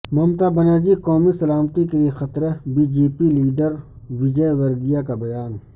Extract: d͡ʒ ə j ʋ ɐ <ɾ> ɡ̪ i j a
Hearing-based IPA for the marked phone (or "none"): ɾ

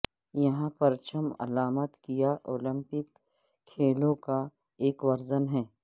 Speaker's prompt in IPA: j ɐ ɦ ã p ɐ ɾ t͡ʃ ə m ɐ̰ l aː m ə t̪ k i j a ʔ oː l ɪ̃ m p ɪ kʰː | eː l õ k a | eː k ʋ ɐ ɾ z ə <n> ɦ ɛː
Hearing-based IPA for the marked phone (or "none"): n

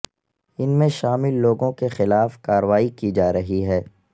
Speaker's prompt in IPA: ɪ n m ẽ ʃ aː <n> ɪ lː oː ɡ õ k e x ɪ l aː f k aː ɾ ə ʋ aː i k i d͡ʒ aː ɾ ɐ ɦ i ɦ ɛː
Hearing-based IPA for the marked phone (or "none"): m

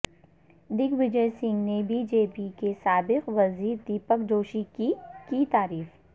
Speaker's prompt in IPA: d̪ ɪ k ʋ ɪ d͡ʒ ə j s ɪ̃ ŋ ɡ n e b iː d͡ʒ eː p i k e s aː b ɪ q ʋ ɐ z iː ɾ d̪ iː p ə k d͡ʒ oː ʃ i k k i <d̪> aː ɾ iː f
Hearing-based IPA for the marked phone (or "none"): t̪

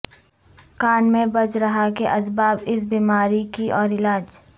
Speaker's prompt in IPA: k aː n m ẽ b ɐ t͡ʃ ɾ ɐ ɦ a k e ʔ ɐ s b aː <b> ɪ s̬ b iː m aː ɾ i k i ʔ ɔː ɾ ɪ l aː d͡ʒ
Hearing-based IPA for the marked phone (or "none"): b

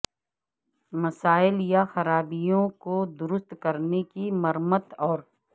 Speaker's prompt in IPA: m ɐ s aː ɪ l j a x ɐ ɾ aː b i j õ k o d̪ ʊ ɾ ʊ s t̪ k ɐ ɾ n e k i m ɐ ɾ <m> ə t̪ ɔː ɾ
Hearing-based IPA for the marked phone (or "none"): m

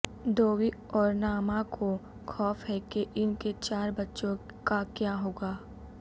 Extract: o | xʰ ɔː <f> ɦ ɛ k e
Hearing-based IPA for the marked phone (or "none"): f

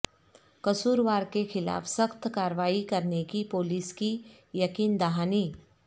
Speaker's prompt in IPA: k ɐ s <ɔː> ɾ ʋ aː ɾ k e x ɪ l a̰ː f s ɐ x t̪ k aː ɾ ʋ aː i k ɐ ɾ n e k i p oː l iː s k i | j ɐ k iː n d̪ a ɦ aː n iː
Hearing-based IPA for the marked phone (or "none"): uː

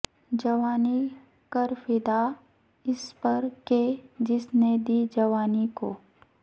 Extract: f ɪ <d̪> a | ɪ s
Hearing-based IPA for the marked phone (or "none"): d̪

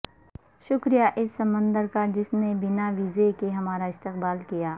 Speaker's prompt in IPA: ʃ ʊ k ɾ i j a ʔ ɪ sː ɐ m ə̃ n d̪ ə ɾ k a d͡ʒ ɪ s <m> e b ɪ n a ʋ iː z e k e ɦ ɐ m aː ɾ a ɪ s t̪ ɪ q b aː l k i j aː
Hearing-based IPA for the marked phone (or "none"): n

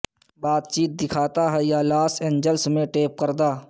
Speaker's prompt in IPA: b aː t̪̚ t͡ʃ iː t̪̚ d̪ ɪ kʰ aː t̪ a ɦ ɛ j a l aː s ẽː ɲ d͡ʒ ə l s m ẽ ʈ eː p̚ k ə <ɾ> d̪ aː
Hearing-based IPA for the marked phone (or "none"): ɾ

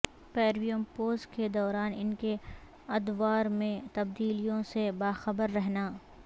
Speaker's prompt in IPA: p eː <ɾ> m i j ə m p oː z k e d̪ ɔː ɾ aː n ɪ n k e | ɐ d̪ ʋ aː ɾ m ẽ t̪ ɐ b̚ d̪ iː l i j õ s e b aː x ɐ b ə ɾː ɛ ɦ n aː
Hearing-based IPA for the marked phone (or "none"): ɾ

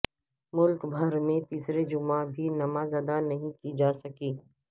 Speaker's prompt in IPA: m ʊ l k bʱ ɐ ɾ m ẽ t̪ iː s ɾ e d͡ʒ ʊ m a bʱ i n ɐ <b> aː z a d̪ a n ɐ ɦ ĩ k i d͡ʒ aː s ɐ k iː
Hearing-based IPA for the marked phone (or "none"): m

